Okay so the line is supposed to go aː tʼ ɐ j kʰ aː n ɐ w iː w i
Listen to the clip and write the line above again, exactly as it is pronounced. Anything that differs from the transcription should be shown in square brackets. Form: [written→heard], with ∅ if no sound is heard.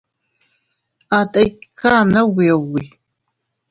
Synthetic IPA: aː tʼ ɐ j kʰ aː n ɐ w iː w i